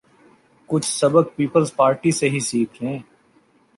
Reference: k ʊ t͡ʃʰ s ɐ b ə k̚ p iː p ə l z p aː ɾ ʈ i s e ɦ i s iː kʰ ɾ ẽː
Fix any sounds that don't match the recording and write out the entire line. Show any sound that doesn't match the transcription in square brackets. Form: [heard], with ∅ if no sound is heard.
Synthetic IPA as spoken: k ʊ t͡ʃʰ s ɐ b ə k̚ p iː p ə l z p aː ɾ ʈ i s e ɦ i s iː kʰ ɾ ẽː